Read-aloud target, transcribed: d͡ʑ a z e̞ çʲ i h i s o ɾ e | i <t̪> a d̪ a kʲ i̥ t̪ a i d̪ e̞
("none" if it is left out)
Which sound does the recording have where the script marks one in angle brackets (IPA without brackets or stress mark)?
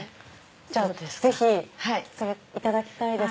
t̪